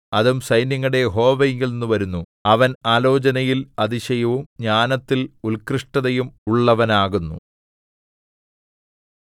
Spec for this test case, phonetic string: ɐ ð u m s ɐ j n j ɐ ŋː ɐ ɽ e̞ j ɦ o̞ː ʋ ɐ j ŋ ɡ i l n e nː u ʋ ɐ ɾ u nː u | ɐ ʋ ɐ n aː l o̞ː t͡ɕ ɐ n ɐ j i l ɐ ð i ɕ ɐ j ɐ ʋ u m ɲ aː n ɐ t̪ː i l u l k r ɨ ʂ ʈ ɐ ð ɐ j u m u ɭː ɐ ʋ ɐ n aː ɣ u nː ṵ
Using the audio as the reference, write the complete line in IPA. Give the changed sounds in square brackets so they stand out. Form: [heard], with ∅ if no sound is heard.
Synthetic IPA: ɐ ð u m s ɐ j n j ɐ ŋː ɐ ɽ e̞ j ɦ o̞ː ʋ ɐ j ŋ ɡ i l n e nː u ʋ ɐ ɾ u nː u | ɐ ʋ ɐ n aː l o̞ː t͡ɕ ɐ n ɐ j i l ɐ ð i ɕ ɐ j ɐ ʋ u m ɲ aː n ɐ t̪ː i l u l k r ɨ ʂ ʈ ɐ ð ɐ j u m u ɭː ɐ ʋ ɐ n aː ɣ u nː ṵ